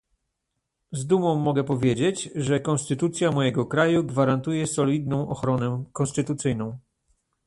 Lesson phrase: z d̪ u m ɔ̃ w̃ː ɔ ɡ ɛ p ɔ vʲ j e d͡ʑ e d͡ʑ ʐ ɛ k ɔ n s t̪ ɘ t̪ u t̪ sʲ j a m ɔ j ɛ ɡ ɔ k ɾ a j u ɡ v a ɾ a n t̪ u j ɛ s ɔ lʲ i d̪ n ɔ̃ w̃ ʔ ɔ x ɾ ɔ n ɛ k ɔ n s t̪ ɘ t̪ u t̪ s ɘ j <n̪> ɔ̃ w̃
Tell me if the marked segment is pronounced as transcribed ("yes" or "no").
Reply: yes